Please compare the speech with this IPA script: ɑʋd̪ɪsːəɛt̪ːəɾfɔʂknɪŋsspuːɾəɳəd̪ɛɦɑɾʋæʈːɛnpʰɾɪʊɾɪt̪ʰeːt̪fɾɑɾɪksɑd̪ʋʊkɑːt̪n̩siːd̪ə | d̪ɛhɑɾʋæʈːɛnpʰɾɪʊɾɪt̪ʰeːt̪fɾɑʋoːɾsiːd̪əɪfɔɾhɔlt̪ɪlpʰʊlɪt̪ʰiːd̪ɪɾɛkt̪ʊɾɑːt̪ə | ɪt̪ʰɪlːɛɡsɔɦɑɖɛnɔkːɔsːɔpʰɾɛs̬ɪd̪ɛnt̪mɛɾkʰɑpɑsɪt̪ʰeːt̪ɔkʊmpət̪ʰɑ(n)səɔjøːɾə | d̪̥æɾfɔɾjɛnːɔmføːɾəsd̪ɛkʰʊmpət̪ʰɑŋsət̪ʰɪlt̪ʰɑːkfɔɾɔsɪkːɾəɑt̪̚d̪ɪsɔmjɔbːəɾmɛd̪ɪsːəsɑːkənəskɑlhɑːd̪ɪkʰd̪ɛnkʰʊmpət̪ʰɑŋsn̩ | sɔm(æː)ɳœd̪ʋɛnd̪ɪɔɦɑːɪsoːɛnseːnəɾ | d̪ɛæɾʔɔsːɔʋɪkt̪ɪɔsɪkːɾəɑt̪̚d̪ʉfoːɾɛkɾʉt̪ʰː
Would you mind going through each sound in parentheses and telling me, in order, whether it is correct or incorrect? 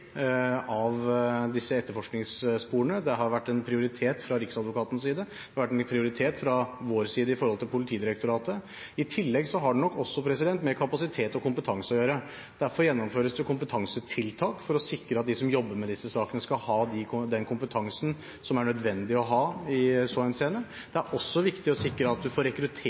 incorrect, incorrect

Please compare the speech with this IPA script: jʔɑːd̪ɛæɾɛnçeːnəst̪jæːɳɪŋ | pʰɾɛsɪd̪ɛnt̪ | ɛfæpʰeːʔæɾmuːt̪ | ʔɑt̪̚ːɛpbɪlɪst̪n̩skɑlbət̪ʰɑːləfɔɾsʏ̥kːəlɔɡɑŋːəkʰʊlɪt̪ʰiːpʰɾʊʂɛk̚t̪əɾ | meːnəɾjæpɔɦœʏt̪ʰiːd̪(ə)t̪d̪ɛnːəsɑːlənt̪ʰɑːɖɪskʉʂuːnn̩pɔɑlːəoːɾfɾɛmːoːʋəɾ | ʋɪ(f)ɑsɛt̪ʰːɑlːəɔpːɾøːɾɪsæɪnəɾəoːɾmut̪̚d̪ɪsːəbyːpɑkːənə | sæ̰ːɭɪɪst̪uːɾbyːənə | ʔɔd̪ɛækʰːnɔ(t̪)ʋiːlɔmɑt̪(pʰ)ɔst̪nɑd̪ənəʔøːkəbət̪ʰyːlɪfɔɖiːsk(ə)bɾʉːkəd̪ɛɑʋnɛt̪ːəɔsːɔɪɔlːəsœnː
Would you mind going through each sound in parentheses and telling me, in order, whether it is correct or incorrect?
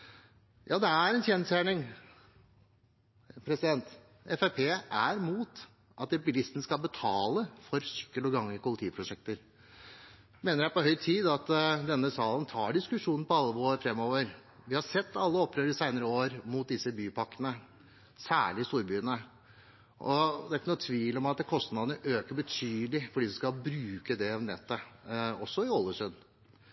incorrect, incorrect, incorrect, incorrect, incorrect

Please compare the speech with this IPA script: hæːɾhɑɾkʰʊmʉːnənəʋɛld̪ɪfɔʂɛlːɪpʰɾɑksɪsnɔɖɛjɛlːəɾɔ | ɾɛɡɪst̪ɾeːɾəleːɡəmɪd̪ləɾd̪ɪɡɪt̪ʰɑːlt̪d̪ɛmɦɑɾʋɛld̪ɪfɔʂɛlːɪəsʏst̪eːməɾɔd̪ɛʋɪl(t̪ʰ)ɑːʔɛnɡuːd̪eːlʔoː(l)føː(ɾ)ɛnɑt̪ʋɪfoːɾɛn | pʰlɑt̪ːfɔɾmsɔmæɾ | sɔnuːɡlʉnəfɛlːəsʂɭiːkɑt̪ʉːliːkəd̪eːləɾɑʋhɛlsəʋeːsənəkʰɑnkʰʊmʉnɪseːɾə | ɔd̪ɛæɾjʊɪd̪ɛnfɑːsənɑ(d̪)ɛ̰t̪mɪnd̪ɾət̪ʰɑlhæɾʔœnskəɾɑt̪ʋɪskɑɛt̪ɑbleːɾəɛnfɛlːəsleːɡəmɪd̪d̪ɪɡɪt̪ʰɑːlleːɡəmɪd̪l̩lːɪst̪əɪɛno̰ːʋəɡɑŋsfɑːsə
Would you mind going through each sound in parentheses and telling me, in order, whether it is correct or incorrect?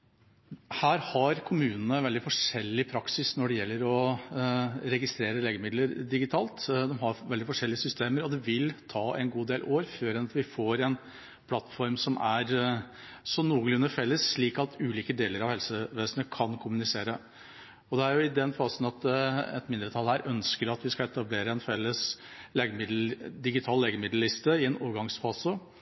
correct, incorrect, correct, incorrect

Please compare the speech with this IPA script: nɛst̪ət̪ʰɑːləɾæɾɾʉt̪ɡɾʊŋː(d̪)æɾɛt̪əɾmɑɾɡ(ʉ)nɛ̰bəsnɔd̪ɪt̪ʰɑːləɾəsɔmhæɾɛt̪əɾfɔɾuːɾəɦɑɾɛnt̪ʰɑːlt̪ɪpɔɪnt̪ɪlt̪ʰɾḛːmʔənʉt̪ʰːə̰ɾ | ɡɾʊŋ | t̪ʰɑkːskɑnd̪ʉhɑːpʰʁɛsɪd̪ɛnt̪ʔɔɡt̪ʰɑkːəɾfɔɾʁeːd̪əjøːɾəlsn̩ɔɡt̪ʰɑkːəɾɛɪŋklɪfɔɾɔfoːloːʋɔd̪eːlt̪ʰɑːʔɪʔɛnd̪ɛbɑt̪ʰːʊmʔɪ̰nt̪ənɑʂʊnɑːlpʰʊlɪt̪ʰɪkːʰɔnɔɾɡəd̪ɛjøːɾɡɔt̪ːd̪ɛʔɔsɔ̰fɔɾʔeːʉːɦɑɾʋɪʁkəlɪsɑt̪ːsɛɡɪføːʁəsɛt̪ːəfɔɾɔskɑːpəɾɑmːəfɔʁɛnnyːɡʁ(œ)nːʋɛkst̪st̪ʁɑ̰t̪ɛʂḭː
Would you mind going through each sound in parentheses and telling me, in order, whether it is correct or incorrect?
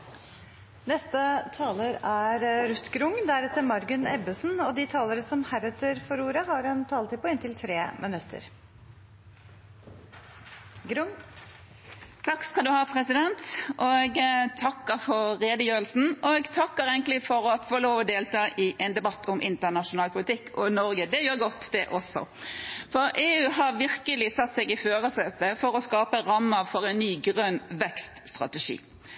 correct, correct, correct

